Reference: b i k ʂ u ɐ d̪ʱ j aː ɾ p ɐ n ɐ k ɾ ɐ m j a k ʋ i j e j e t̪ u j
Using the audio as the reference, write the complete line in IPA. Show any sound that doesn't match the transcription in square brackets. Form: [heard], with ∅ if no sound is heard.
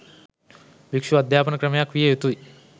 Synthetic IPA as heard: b i k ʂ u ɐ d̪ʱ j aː [∅] p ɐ n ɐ k ɾ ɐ m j a k ʋ i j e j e t̪ u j